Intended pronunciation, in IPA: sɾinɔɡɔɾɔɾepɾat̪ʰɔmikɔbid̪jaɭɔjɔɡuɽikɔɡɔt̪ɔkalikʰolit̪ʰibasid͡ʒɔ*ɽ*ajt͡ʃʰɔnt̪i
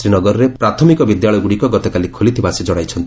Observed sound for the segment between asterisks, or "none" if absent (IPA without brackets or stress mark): ɽ